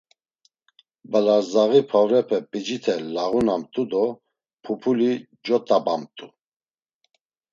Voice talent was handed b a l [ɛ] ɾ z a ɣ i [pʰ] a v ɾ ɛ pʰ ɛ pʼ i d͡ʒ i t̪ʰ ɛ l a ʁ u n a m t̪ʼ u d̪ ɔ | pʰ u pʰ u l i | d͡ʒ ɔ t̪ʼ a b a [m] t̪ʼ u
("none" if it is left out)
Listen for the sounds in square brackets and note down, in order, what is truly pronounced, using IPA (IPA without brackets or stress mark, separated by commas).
a, pʰ, m